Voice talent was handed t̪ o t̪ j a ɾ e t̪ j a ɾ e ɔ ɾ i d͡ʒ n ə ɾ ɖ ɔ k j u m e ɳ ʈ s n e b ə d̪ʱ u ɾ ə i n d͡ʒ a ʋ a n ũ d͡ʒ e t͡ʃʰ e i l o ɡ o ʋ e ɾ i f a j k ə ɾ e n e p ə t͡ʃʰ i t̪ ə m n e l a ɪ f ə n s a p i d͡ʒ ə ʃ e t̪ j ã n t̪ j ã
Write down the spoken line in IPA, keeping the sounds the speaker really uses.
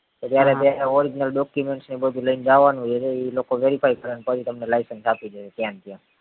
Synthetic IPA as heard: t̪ o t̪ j a ɾ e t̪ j a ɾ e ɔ ɾ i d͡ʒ n ə l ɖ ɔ k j u m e ɳ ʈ s n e b ə d̪ʱ u l ə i n d͡ʒ a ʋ a n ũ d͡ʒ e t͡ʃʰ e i l o k o ʋ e ɾ i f a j k ə ɾ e n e p ə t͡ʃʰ i t̪ ə m n e l a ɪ s ə n s a p i d͡ʒ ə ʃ e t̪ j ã n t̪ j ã